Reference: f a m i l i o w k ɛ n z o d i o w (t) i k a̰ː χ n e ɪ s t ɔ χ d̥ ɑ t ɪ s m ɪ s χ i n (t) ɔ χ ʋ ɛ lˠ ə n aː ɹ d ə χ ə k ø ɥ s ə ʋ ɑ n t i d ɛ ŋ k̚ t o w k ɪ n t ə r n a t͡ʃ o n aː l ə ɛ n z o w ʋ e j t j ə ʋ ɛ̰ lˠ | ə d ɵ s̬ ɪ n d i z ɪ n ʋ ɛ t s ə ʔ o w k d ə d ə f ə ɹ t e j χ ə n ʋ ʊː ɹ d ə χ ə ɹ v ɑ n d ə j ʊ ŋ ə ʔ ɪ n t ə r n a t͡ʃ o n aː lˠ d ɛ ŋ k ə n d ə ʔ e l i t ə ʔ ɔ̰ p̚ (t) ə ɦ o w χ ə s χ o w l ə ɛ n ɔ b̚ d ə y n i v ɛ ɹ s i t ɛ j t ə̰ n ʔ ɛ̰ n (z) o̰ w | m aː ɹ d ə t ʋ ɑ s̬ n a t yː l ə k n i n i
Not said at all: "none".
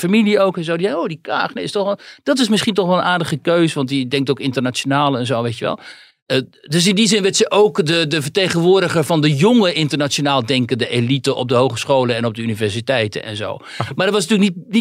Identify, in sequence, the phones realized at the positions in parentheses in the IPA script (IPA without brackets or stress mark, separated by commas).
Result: d, t, d, z